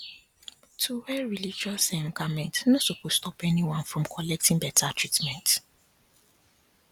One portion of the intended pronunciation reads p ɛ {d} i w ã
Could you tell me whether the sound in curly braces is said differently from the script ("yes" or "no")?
yes